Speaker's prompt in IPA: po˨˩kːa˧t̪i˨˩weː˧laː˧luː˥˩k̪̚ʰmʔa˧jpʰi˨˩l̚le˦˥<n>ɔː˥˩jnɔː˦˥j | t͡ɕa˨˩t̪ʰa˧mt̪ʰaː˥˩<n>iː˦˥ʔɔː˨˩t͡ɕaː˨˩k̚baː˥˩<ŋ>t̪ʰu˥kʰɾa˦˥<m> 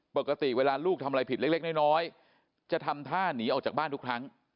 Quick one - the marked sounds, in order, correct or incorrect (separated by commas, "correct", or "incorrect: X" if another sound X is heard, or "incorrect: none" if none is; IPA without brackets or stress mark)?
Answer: correct, correct, incorrect: n, incorrect: ŋ